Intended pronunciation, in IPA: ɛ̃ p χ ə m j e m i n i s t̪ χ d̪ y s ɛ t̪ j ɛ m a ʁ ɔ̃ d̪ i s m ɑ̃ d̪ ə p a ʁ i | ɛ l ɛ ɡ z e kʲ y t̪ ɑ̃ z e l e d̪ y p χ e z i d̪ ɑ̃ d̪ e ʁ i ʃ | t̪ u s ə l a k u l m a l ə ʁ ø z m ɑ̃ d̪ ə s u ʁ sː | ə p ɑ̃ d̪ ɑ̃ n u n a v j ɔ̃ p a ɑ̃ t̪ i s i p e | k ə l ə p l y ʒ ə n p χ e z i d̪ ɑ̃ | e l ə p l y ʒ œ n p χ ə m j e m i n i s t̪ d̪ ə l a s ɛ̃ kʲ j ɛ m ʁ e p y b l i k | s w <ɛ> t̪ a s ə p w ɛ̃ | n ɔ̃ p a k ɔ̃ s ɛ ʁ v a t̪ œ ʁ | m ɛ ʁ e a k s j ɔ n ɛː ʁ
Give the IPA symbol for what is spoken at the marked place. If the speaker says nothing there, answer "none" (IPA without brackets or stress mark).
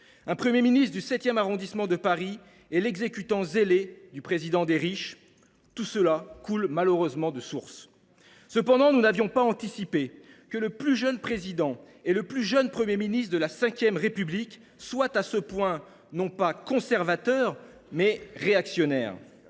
a